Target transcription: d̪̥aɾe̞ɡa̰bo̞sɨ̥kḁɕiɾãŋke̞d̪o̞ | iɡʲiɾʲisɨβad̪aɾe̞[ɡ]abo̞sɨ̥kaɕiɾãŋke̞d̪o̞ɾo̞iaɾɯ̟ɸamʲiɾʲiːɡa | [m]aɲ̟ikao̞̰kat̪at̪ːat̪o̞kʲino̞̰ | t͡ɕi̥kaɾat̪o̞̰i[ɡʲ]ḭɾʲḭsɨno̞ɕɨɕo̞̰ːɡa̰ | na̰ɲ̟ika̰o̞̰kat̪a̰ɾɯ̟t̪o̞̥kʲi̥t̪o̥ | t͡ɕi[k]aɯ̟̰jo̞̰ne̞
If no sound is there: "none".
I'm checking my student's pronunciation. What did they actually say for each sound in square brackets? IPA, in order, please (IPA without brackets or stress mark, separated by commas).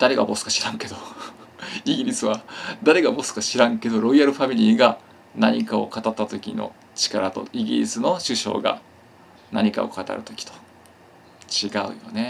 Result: ɡ, n, ɡʲ, ɡ